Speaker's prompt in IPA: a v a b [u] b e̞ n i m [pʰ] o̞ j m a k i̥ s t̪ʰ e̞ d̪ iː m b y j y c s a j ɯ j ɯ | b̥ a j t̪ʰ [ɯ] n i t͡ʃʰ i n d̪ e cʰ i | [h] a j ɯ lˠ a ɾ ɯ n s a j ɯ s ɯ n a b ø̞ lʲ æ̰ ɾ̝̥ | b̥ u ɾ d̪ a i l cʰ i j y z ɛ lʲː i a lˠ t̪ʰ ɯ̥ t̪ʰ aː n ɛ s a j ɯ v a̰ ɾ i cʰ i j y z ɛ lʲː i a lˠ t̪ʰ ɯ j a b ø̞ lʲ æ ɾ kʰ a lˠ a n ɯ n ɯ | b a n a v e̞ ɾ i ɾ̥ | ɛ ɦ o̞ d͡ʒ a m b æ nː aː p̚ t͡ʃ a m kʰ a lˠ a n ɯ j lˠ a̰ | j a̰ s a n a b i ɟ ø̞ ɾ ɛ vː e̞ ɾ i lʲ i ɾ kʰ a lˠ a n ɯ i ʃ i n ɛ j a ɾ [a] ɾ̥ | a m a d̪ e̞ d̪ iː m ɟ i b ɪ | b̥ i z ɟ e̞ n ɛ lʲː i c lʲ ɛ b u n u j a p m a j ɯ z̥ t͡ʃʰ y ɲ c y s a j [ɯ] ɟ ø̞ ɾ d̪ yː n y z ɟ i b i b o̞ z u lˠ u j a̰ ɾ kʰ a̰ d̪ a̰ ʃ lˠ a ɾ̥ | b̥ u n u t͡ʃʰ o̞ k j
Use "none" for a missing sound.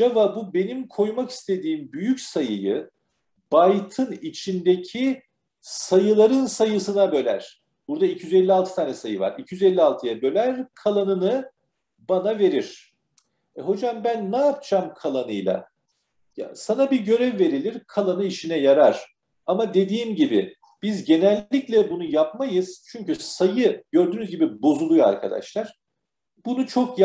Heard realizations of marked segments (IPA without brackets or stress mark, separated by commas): u, kʰ, ɯ, s, a, ɯ